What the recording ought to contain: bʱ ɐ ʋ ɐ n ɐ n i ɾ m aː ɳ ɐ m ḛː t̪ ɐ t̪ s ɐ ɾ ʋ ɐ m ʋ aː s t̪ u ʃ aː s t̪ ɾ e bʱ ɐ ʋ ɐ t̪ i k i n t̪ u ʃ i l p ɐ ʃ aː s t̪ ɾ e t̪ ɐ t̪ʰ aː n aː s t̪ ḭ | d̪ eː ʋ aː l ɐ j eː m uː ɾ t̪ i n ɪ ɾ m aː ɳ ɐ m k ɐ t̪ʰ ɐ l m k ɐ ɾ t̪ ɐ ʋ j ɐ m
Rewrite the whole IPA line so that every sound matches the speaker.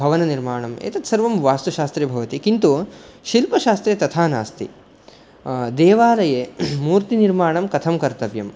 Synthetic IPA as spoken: bʱ ɐ ʋ ɐ n ɐ n i ɾ m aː ɳ ɐ m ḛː t̪ ɐ t̪ s ɐ ɾ ʋ ɐ m ʋ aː s t̪ u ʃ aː s t̪ ɾ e bʱ ɐ ʋ ɐ t̪ i k i n t̪ u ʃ i l p ɐ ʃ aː s t̪ ɾ e t̪ ɐ t̪ʰ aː n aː s t̪ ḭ | d̪ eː ʋ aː l ɐ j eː m uː ɾ t̪ i n i ɾ m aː ɳ ɐ m k ɐ t̪ʰ ɐ m k ɐ ɾ t̪ ɐ ʋ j ɐ m